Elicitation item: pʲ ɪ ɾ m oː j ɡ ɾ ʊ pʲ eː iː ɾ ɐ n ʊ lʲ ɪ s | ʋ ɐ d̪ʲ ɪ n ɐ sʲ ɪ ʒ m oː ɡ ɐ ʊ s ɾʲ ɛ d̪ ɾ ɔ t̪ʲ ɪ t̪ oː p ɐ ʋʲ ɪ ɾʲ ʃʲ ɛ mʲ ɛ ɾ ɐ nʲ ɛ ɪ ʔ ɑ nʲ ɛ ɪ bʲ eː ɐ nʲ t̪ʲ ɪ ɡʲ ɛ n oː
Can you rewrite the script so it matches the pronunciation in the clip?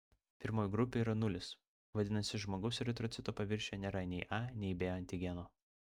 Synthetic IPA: pʲ ɪ ɾ m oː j ɡ ɾ ʊ pʲ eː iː ɾ ɐ n ʊ lʲ ɪ s | ʋ ɐ d̪ʲ ɪ n ɐ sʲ ɪ ʒ m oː ɡ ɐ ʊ s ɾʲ ɛ t̪ ɾ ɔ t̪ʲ ɪ t̪ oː p ɐ ʋʲ ɪ ɾʲ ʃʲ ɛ nʲ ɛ ɾ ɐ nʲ ɛ ɪ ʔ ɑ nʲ ɛ ɪ bʲ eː ɐ nʲ t̪ʲ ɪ ɡʲ ɛ n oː

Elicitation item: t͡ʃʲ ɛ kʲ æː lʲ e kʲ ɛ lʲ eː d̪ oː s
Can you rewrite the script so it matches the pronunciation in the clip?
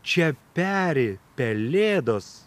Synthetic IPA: t͡ʃʲ ɛ pʲ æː ɾʲ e pʲ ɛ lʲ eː d̪ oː s

